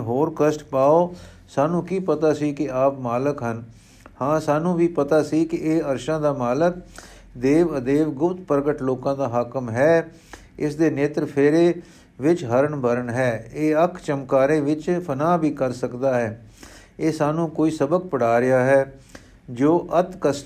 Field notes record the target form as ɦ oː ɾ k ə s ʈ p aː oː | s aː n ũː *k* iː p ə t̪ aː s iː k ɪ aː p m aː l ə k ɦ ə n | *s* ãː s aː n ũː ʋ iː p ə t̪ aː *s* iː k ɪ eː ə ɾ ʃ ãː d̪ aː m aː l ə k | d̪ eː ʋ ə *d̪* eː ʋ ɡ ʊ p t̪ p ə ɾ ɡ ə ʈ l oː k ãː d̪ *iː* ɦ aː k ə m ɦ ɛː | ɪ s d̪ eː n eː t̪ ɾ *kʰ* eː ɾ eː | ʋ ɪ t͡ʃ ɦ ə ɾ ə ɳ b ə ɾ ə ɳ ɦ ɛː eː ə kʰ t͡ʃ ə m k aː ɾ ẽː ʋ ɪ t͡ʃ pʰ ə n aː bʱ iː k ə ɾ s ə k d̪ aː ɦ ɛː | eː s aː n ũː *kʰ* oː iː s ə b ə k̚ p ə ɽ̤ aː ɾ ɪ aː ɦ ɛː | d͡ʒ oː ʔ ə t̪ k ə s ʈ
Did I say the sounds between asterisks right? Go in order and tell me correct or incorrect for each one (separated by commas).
correct, incorrect, correct, correct, incorrect, incorrect, incorrect